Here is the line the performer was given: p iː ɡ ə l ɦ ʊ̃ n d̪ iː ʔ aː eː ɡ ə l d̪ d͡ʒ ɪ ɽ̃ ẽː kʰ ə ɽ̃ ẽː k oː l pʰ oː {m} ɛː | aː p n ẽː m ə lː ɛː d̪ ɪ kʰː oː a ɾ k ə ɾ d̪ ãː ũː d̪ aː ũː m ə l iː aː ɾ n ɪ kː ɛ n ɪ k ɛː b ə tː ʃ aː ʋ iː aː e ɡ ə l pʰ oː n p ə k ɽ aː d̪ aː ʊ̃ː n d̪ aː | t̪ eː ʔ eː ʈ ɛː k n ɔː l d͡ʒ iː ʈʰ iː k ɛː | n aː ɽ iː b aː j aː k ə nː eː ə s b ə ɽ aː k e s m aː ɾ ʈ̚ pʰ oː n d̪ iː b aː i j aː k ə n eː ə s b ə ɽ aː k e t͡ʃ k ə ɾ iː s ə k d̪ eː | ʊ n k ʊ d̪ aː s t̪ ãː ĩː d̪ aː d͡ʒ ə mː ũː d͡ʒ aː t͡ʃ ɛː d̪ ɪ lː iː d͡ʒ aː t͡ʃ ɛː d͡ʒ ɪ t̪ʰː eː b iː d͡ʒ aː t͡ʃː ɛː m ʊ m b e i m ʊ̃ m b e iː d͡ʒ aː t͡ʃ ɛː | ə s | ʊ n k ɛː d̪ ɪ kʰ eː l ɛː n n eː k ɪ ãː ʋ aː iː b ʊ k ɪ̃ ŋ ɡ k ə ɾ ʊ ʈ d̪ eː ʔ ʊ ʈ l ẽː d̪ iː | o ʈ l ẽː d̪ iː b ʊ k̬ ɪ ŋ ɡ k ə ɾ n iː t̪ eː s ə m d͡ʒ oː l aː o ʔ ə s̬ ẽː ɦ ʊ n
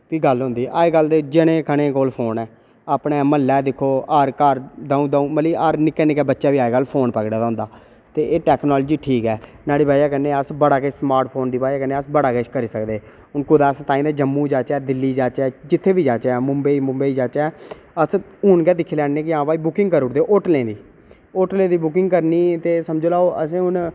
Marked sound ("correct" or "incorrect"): incorrect